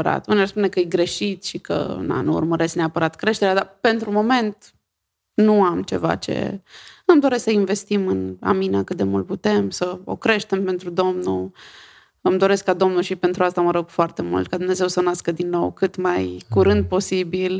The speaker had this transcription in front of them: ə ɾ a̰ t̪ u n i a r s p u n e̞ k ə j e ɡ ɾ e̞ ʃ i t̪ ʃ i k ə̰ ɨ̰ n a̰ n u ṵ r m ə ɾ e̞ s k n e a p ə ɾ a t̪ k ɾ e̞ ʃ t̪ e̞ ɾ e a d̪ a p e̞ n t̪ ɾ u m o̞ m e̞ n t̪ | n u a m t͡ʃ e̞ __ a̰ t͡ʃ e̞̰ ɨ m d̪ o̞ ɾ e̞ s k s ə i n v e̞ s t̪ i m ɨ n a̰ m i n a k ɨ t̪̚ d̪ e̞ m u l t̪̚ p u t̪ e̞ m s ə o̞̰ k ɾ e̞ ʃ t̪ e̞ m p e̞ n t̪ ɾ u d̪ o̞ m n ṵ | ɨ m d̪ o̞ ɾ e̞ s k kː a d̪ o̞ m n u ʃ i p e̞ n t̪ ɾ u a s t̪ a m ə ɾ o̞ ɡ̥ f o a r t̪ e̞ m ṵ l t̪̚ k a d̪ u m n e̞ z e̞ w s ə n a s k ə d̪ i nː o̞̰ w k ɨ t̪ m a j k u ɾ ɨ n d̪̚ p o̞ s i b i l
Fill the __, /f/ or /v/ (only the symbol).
v